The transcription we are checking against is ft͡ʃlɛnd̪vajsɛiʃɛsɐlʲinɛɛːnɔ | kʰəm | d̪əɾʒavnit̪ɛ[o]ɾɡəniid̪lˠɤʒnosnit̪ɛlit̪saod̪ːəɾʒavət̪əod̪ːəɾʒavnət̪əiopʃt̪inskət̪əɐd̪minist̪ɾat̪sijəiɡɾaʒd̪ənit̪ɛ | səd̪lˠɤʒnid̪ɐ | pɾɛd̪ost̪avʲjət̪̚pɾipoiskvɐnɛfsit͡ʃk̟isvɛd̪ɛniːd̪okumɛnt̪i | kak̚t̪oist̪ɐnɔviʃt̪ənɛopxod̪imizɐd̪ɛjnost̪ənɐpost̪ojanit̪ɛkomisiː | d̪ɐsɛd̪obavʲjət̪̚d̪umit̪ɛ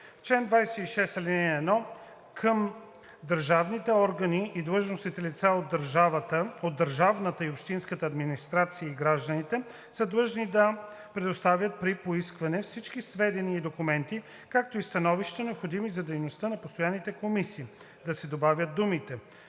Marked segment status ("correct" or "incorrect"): incorrect